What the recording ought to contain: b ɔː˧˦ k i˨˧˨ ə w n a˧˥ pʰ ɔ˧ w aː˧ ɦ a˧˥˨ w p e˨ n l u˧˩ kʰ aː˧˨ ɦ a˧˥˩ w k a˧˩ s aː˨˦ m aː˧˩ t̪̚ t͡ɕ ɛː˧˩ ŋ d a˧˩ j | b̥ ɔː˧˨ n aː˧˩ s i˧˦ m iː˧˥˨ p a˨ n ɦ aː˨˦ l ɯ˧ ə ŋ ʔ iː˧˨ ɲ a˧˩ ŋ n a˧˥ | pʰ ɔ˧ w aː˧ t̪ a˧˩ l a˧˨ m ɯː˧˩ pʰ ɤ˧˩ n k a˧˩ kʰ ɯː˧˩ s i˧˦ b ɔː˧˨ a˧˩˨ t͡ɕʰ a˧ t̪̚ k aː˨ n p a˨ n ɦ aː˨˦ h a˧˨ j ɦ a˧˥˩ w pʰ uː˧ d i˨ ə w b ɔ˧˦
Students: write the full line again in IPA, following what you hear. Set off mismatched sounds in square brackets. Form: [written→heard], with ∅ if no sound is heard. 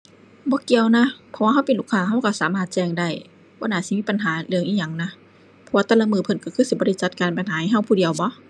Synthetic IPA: b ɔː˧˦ k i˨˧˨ ə w n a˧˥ pʰ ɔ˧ w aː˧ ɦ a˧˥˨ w p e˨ n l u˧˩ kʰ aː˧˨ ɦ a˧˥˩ w k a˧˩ s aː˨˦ m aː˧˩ t̪̚ t͡ɕ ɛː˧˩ ŋ d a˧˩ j | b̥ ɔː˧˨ n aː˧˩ s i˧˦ m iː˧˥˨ p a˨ n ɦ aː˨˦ l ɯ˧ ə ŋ ʔ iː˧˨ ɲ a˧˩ ŋ n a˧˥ | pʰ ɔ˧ w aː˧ t̪ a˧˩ l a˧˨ m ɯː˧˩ pʰ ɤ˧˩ n k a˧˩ kʰ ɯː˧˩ s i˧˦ b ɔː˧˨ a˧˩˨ [t͡ɕʰ→t͡ɕ] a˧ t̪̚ k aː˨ n p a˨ n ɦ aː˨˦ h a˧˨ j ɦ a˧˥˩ w pʰ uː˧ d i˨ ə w b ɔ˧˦

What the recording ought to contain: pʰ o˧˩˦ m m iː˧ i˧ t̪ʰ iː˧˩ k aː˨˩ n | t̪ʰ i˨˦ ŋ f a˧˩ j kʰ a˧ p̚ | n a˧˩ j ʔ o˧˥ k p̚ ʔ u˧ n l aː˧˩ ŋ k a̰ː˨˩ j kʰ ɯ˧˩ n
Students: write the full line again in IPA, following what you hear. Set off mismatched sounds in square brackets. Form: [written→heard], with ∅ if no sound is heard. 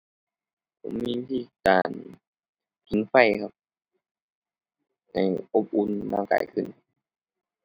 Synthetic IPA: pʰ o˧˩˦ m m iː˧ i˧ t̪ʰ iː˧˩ k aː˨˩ n | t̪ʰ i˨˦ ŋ f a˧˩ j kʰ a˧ p̚ | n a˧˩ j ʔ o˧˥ [k→∅] p̚ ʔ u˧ n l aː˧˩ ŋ k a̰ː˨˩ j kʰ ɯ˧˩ n

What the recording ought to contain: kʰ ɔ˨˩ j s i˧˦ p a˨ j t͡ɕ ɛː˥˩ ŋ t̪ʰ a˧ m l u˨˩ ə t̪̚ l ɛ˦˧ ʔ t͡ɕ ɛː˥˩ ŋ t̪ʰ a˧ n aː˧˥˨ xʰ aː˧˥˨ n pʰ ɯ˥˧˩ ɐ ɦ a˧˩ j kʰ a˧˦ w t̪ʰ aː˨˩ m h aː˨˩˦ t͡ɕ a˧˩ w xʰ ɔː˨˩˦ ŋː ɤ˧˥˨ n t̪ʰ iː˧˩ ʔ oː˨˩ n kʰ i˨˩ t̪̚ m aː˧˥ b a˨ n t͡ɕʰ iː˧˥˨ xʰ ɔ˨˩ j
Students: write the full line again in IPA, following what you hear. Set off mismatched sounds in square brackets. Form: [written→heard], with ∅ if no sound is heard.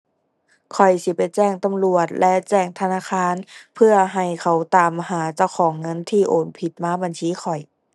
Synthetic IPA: kʰ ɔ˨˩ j s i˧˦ p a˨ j t͡ɕ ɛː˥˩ ŋ [t̪ʰ→t̪] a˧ m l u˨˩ ə t̪̚ l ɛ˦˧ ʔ t͡ɕ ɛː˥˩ ŋ t̪ʰ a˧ n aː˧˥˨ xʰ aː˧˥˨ n pʰ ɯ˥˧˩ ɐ ɦ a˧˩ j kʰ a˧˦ w [t̪ʰ→t̪] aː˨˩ m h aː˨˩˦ t͡ɕ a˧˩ w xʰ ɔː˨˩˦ ŋː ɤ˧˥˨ n t̪ʰ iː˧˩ ʔ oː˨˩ n [kʰ→pʰ] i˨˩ t̪̚ m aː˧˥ b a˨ n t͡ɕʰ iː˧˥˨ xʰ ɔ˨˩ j

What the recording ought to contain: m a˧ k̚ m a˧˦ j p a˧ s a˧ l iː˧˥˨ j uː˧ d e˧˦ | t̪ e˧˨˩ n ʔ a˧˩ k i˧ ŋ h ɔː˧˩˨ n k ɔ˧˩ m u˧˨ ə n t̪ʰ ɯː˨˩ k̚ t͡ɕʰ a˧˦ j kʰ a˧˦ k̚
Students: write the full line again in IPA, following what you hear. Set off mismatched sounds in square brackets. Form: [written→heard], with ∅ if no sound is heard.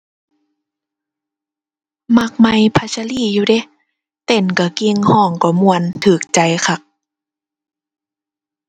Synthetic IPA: m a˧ k̚ m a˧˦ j [p→pʰ] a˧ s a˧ l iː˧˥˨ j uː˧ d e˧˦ | t̪ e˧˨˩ n [ʔ→k] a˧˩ k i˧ ŋ h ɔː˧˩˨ [n→ŋ] k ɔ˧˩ m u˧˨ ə n t̪ʰ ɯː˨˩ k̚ [t͡ɕʰ→t͡ɕ] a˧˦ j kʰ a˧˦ k̚

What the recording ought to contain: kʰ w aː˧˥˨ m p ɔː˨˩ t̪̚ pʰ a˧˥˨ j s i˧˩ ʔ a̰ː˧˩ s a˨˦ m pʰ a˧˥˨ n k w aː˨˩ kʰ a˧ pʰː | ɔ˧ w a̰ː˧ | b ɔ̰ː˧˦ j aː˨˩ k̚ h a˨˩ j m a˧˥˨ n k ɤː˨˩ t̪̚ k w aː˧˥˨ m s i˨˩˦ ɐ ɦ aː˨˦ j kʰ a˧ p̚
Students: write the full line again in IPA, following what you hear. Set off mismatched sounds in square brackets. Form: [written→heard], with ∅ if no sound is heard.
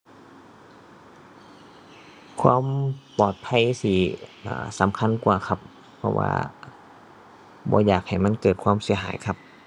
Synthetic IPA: kʰ w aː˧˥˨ m p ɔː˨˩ t̪̚ pʰ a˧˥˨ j s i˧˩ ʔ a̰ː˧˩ s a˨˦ m [pʰ→kʰ] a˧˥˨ n k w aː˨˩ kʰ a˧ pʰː | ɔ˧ w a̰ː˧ | b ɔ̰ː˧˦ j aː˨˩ k̚ h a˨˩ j m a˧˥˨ n k ɤː˨˩ t̪̚ [k→kʰ] w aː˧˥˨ m s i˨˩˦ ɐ ɦ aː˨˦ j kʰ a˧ p̚

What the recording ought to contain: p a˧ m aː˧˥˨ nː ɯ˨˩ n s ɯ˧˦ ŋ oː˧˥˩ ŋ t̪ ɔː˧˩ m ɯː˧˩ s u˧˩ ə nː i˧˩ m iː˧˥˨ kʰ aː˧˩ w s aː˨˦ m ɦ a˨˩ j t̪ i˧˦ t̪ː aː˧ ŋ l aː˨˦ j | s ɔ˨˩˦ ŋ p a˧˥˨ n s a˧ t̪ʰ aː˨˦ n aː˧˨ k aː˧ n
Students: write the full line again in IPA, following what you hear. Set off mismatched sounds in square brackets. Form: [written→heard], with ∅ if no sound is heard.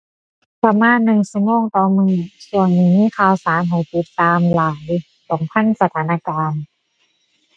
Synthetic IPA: p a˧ m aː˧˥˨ nː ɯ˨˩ [n→ŋ] s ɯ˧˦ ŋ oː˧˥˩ ŋ t̪ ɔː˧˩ m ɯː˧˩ s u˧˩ ə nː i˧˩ m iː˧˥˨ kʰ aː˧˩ w s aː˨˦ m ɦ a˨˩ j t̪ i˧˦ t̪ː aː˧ [ŋ→m] l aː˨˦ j | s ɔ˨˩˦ ŋ [p→pʰ] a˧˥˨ n s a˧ t̪ʰ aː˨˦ n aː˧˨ k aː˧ n

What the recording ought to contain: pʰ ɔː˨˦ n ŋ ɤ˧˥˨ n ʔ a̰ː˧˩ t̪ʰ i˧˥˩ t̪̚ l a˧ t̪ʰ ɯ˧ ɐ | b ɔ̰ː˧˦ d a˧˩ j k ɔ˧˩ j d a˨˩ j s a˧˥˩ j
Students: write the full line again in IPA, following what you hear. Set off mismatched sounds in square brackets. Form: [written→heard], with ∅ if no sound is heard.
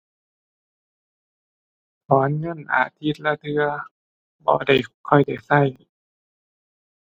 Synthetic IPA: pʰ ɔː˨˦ n ŋ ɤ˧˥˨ n ʔ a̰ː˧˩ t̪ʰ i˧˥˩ t̪̚ l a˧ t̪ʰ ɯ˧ ɐ | b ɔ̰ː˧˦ d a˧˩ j [k→kʰ] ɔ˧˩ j d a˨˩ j s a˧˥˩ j

